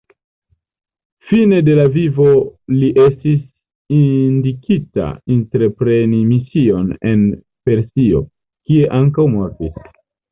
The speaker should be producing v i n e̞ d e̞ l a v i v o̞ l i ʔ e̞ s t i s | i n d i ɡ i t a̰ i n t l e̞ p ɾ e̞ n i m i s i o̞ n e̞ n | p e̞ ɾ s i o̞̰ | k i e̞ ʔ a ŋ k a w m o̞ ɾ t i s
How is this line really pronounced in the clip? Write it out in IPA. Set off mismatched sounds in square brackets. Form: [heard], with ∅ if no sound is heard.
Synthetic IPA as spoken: [f] i n e̞ d e̞ l a v i v o̞ l i ʔ e̞ s t i s | i n d i [k] i t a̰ i n t [ɾ] e̞ p ɾ e̞ n i m i s i o̞ n e̞ n | p e̞ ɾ s i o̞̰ | k i e̞ ʔ a ŋ k a w m o̞ ɾ t i s